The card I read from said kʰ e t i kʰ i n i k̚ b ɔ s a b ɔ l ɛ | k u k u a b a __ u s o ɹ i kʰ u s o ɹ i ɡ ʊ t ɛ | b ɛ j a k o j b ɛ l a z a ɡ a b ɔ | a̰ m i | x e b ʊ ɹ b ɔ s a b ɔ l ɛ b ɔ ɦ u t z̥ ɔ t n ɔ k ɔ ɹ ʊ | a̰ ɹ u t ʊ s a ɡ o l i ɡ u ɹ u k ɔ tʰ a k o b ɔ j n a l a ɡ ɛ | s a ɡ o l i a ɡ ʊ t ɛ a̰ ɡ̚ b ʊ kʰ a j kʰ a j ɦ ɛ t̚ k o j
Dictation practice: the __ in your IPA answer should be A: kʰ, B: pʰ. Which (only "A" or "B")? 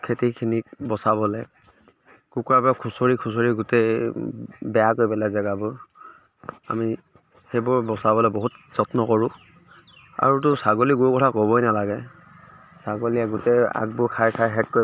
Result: A